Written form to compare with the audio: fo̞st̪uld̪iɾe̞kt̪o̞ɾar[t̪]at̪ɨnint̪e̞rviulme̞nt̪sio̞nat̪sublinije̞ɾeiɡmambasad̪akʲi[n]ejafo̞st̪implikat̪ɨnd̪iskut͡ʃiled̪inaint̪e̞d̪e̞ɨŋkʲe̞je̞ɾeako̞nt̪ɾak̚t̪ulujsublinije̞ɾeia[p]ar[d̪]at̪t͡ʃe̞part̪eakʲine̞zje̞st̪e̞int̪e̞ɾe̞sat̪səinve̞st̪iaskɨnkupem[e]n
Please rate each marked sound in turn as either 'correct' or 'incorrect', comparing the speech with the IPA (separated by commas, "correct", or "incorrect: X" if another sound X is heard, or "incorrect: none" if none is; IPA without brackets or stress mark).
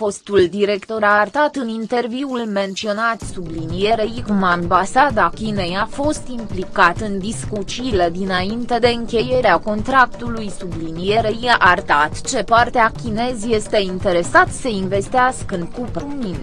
correct, correct, incorrect: ʔ, incorrect: t̪, incorrect: i